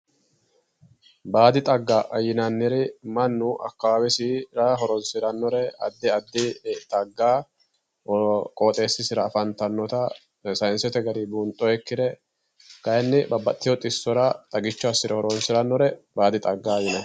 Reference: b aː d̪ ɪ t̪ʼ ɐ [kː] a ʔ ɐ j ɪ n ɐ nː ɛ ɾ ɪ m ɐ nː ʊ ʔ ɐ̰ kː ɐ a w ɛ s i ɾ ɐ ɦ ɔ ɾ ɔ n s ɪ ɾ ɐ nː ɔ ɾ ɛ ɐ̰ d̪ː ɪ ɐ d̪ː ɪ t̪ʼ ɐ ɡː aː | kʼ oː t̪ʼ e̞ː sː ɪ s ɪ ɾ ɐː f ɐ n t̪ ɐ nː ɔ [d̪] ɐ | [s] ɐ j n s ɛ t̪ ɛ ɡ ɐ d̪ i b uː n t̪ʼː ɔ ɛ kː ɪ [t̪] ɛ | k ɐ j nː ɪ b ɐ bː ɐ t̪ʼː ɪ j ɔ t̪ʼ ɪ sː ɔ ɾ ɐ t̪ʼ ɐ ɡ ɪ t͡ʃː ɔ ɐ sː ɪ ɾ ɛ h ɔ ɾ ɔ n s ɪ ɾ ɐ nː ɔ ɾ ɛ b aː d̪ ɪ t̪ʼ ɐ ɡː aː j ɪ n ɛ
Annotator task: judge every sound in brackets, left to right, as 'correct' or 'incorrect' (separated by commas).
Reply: incorrect, incorrect, correct, incorrect